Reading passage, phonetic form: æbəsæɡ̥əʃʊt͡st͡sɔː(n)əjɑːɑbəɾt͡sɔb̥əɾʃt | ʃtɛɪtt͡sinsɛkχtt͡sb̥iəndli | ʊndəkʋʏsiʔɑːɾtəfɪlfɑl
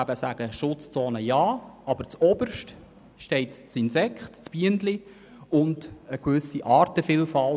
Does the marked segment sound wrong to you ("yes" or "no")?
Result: no